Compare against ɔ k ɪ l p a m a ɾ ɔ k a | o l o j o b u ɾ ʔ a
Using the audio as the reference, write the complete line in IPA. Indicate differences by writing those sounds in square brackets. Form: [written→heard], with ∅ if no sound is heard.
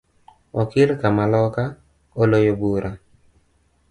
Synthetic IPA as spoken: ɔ k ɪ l [p→k] a m a [ɾ→l] ɔ k a | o l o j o b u ɾ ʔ a

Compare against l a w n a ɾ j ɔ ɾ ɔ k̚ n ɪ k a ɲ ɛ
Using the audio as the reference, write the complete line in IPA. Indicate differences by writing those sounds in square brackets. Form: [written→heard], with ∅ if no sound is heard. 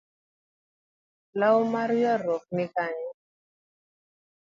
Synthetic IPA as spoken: l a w [n→m] a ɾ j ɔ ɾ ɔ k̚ n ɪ k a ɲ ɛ

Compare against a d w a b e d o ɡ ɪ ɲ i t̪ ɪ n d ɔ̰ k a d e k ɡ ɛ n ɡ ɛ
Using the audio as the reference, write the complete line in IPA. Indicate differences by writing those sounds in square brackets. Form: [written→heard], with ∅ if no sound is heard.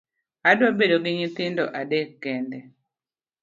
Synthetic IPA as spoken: a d w a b e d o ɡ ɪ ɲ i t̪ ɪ n d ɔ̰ [k→ʔ] a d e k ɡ ɛ n [ɡ→d] ɛ

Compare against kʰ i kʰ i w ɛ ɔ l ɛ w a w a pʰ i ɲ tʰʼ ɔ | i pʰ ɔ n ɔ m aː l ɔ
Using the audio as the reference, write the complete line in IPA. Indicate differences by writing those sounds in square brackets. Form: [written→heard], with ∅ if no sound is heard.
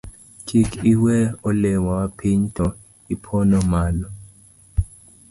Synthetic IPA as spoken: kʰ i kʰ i w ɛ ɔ l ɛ w a w a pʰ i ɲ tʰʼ ɔ | i pʰ ɔ n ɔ m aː l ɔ

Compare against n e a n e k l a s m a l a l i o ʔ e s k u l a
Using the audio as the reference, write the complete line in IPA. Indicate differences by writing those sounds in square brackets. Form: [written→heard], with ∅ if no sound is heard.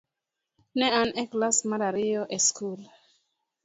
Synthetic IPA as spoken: n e a n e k l a s m a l a [l→ɾ] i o ʔ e s k u l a

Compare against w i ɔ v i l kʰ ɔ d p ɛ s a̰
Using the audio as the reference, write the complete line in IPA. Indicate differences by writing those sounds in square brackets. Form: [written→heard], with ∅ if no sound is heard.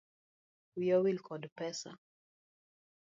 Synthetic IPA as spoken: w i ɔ [v→w] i l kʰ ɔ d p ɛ s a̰

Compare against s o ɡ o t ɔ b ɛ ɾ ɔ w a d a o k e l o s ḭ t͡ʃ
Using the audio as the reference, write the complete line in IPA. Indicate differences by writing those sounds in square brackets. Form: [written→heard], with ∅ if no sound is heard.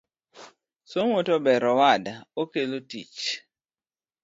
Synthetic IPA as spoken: s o [ɡ→ŋ] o t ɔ b ɛ ɾ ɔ w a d a o k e l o [s→t] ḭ t͡ʃ

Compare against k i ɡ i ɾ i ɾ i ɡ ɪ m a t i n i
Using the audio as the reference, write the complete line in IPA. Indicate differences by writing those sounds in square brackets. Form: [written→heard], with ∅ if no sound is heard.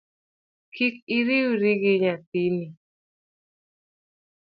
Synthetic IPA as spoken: k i [ɡ→k] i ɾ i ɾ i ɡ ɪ [m→ɲ] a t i n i

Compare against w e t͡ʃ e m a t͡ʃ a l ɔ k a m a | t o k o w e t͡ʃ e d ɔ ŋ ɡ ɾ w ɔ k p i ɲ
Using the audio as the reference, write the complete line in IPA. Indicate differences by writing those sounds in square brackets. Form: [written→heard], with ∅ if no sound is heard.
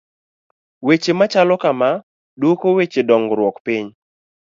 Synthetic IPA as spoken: w e t͡ʃ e m a t͡ʃ a l ɔ k a m a | [t→d] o k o w e t͡ʃ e d ɔ ŋ ɡ ɾ w ɔ k p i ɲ

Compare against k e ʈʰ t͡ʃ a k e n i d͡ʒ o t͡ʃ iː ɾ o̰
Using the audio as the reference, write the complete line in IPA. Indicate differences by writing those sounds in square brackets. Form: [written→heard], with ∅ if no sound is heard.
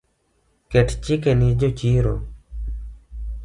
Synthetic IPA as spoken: k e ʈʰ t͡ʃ [a→i] k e n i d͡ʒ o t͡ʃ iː ɾ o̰

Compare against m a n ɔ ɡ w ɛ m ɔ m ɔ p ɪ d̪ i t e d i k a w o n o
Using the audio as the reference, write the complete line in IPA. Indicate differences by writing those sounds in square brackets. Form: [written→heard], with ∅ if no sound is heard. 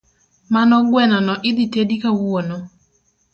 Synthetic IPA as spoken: m a n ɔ ɡ w ɛ [m→n] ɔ [m→n] ɔ [p→ʔ] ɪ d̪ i t e d i k a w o n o

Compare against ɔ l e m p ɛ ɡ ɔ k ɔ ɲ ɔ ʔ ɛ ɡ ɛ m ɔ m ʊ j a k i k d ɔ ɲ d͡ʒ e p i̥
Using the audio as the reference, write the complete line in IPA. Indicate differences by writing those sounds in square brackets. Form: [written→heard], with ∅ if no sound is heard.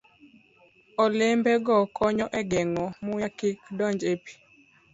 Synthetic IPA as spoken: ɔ l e m [p→b] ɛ ɡ ɔ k ɔ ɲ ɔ ʔ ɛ ɡ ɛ [m→ŋ] ɔ m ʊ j a k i k d ɔ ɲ d͡ʒ e p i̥

